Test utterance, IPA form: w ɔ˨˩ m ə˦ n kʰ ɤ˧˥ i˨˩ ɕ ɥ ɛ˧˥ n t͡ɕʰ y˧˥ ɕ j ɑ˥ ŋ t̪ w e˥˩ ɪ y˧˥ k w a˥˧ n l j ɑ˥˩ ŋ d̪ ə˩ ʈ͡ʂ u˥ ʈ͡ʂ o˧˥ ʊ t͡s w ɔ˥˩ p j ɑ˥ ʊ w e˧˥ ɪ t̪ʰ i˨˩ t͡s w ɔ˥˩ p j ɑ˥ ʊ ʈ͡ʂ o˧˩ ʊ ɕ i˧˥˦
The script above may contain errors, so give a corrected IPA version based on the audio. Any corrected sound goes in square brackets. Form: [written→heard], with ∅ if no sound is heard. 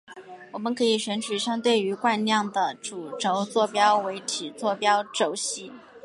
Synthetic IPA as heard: w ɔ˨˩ m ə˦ n kʰ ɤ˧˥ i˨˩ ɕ ɥ ɛ˧˥ n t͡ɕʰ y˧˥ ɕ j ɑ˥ ŋ t̪ w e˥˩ ɪ y˧˥ k w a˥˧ n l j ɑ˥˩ ŋ d̪ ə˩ ʈ͡ʂ [u˥→u˨˩] ʈ͡ʂ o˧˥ ʊ t͡s w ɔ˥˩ p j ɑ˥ ʊ w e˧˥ ɪ t̪ʰ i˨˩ t͡s w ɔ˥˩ p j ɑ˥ ʊ ʈ͡ʂ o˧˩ ʊ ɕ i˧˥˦